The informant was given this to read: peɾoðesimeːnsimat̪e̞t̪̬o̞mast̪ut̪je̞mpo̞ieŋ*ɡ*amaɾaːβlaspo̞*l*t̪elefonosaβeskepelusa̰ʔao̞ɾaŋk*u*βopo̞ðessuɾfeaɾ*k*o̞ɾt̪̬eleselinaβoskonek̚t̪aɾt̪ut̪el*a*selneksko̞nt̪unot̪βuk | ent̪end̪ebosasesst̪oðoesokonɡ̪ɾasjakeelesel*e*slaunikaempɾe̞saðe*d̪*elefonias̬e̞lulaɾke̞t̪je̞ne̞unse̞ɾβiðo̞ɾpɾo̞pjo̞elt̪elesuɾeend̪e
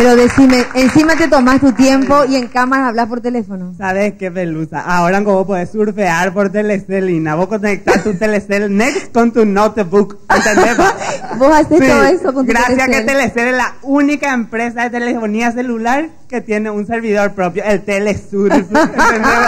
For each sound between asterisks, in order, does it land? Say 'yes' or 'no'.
no, no, no, no, no, yes, no

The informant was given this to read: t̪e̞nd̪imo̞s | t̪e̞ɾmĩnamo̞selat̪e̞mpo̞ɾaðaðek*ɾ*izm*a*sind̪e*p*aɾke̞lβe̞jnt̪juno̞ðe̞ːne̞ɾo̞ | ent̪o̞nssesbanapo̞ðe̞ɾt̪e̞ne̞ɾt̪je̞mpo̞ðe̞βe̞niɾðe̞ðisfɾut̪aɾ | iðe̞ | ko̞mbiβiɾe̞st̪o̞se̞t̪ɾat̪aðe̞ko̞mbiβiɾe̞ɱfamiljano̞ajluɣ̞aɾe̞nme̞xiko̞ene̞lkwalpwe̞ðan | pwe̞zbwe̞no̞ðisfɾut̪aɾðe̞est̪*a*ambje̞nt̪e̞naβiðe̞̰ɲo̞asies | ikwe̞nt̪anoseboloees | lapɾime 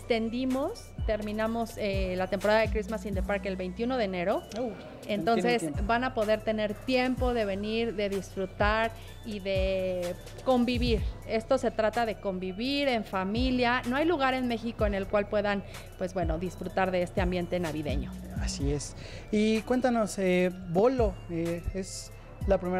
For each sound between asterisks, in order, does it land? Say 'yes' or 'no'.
yes, yes, yes, no

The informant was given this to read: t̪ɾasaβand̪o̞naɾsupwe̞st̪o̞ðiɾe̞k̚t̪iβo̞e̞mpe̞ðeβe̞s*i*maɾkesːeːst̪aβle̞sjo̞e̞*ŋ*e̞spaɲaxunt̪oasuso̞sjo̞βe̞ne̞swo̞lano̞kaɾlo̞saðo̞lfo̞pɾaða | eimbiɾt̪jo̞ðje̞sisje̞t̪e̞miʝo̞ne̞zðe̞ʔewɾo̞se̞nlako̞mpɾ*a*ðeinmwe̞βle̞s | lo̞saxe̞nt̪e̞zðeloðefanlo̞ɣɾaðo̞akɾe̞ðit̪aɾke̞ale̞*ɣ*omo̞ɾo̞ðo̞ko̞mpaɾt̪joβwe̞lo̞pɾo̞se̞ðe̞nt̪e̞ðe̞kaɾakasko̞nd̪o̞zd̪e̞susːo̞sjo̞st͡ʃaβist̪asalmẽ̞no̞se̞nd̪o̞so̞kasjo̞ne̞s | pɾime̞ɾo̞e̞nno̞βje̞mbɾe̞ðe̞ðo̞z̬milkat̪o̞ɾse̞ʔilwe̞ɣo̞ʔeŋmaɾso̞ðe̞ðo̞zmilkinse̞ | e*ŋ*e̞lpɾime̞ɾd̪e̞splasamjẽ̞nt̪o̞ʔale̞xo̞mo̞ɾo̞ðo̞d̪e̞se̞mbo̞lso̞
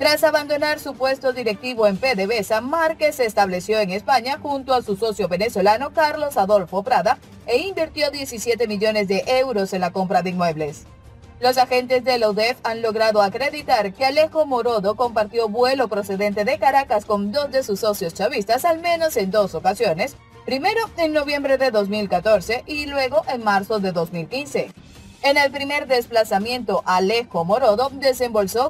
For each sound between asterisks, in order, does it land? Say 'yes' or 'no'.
no, yes, yes, no, no

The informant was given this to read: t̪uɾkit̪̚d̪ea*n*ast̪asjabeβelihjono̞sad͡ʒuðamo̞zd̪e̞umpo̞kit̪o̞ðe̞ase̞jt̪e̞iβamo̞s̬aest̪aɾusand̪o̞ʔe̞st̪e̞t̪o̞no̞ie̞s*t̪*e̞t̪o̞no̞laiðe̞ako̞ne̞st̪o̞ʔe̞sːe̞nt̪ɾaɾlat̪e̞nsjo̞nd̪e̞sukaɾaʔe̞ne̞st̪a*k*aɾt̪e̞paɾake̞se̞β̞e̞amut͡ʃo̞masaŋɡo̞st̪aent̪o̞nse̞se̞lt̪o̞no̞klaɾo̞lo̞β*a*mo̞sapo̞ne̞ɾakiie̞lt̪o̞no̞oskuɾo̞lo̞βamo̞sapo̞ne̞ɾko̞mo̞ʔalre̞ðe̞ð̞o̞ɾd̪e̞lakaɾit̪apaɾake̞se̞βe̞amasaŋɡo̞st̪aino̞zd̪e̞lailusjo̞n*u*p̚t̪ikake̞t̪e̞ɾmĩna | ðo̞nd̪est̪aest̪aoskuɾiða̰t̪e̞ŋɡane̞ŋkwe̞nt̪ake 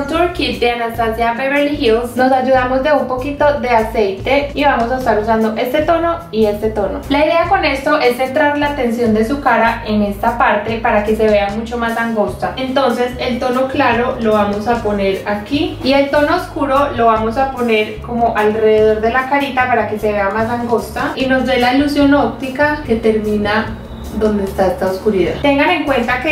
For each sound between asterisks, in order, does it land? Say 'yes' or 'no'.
yes, yes, no, yes, no

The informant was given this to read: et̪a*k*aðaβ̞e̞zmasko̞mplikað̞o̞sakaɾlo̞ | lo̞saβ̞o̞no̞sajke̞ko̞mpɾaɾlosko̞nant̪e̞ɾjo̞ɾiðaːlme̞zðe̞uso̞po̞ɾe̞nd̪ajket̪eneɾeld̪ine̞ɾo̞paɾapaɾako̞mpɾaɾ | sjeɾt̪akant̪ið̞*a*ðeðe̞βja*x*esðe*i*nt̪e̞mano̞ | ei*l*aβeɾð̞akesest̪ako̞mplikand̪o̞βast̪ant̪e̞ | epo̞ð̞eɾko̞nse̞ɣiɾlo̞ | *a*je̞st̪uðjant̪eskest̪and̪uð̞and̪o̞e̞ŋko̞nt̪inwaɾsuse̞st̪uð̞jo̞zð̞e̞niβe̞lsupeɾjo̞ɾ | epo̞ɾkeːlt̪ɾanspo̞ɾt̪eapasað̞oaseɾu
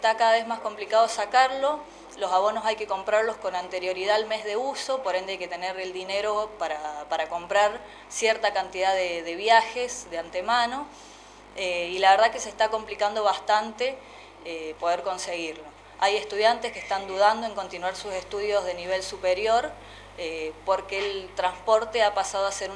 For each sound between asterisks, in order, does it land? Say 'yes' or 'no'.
yes, yes, yes, no, yes, yes

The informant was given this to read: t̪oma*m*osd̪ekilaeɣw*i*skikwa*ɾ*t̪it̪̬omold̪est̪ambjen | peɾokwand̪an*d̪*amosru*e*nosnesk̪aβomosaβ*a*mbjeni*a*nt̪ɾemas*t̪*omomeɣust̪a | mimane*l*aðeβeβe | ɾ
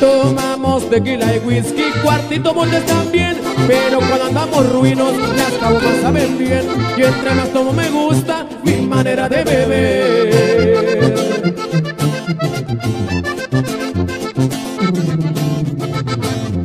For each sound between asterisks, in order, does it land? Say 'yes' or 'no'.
yes, yes, yes, yes, no, no, no, yes, no

